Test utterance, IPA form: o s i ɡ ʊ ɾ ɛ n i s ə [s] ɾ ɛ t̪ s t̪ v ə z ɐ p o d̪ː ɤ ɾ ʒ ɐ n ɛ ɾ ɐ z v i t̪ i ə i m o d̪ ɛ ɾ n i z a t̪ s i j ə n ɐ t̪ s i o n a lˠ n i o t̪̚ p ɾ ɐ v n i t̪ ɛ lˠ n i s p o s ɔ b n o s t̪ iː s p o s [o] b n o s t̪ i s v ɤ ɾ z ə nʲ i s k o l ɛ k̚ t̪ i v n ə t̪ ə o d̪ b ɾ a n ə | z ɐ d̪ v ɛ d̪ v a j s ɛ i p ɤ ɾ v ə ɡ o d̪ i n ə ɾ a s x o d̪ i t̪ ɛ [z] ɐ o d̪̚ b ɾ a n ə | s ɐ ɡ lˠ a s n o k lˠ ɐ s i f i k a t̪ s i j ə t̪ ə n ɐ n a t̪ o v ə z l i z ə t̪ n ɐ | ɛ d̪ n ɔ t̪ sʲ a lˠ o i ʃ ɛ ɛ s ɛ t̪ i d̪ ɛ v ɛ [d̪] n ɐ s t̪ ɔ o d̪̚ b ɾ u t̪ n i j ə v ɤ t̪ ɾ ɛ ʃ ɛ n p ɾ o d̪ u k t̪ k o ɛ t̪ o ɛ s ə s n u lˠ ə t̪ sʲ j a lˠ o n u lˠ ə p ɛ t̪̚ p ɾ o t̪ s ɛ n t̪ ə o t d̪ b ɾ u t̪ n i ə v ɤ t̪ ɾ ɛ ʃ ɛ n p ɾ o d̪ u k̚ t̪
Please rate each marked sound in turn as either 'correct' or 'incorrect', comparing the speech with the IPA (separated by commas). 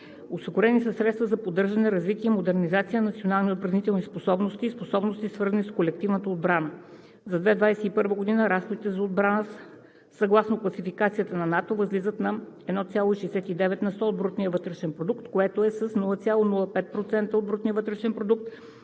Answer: correct, incorrect, correct, incorrect